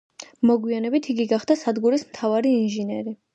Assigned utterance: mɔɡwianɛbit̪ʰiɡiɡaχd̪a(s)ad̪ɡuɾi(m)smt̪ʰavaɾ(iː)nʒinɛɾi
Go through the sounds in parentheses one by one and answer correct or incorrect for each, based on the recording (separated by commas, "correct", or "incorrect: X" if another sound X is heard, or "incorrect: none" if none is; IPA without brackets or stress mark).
correct, incorrect: none, correct